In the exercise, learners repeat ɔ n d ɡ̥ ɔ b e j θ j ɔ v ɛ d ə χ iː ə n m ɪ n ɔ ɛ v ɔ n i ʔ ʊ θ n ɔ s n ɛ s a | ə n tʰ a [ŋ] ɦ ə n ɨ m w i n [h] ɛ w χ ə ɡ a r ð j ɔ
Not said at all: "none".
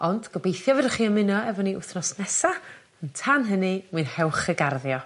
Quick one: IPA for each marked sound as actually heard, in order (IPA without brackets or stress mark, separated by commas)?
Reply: n, h